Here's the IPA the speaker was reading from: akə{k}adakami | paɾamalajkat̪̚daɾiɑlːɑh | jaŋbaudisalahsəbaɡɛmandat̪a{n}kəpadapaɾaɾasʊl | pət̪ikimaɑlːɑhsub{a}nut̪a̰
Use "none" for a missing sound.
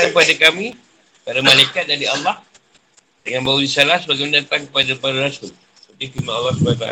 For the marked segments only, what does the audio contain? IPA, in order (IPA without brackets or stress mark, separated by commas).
p, ŋ, a